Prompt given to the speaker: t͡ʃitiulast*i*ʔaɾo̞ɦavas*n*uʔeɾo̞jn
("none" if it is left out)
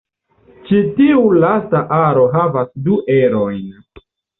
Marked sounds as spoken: a, d

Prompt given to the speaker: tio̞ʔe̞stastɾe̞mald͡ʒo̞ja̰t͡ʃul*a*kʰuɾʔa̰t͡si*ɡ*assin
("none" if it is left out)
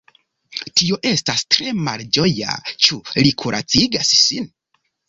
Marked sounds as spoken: i, ɡ

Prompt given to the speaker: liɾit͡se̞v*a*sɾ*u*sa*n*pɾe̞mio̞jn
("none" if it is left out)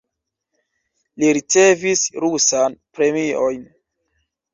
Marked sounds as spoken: i, u, n

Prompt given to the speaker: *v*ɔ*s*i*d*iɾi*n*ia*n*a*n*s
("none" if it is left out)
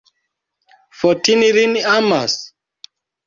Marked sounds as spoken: f, t, n, n, m, none

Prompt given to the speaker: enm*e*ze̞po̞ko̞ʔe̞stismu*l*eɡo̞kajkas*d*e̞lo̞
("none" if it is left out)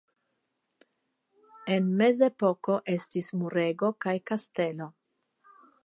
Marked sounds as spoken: e, ɾ, t

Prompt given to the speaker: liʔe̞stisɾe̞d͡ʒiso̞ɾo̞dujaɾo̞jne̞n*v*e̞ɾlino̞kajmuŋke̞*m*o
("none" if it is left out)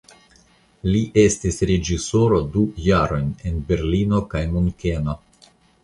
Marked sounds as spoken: b, n

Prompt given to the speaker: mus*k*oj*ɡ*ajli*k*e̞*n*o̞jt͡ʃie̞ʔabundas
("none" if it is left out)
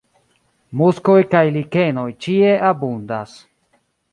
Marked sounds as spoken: k, k, k, n

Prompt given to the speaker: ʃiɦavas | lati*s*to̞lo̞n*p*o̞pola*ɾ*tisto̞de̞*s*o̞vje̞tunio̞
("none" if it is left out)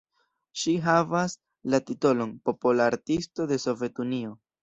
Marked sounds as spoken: none, p, ɾ, s

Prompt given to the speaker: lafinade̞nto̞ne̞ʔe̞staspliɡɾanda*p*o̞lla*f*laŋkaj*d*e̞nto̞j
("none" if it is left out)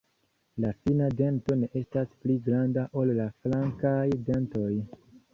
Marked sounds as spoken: ʔ, f, d

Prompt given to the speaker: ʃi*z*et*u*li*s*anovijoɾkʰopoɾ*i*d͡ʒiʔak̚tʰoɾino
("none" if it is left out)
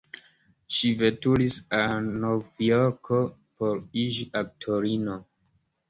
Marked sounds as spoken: v, u, s, i

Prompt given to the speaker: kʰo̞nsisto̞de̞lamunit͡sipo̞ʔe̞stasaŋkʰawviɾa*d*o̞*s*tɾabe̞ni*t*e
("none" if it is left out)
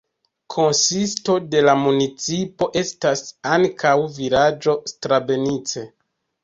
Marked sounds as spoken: d͡ʒ, s, t͡s

